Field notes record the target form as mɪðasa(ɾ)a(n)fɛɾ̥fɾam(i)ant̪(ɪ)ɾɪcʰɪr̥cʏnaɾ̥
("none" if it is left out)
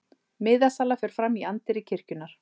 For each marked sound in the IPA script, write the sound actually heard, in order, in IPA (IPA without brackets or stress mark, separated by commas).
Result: l, none, i, ɪ